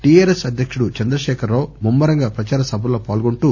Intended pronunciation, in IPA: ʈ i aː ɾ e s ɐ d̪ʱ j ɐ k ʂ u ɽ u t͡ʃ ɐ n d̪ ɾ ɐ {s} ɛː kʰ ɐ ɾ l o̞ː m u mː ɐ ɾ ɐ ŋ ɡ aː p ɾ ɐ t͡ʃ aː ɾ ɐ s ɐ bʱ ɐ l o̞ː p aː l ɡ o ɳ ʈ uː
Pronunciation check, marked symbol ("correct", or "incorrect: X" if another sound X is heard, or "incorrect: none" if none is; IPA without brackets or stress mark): incorrect: ʃ